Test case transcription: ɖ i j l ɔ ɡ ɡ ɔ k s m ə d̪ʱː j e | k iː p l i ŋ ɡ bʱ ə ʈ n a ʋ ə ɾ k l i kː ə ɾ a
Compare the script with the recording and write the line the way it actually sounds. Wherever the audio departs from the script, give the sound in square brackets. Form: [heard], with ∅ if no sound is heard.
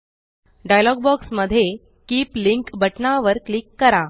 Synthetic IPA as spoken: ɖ [a] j l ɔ ɡ [b] ɔ k s m ə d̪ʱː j e | k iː p l i ŋ [k] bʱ ə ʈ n a ʋ ə ɾ k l i kː ə ɾ a